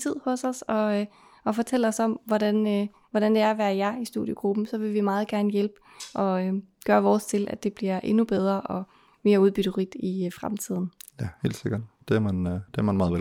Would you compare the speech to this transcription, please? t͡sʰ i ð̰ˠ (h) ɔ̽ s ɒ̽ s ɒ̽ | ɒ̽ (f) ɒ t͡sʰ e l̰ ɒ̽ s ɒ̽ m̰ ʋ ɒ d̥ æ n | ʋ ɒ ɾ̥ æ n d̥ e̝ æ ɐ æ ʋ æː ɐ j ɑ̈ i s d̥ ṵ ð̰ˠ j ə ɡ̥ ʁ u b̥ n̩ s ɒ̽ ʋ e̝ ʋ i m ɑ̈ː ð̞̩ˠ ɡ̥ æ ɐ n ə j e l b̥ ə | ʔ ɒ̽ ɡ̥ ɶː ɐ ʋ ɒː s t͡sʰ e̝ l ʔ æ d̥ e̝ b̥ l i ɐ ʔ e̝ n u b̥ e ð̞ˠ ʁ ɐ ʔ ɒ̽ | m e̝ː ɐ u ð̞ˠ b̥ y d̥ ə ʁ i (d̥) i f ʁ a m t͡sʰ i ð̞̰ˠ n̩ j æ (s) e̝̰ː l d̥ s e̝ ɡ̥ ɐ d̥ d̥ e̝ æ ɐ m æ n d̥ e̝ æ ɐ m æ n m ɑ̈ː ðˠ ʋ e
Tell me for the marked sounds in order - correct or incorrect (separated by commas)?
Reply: correct, correct, correct, incorrect